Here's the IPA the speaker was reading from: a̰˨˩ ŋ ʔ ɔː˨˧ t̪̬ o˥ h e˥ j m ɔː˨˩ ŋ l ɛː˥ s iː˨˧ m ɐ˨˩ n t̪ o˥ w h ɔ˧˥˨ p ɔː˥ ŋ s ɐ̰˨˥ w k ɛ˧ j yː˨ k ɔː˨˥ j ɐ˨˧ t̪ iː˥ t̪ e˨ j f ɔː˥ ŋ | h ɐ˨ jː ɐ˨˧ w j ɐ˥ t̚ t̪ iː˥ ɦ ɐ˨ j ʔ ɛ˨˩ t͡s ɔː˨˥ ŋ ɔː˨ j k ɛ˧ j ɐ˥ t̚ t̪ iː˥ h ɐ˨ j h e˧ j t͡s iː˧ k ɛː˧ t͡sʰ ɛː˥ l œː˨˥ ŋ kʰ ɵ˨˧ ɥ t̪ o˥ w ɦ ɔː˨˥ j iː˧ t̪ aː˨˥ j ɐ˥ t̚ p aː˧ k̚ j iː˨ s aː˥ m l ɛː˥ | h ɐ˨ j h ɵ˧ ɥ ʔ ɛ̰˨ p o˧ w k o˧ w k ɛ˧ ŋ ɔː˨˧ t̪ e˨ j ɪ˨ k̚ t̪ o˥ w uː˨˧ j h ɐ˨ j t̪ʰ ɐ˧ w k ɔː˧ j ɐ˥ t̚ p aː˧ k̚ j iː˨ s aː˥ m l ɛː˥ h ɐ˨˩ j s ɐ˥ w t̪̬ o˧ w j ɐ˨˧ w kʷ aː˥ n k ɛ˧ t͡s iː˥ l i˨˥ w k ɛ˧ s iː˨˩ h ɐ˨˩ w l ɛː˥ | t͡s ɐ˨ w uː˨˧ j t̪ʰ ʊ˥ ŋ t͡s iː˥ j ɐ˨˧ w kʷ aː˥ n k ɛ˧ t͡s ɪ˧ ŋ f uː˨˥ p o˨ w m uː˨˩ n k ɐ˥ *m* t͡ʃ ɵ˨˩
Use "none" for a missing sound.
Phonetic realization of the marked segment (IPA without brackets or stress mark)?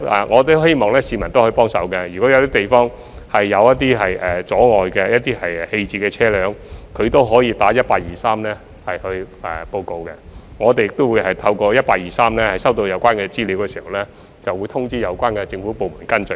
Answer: n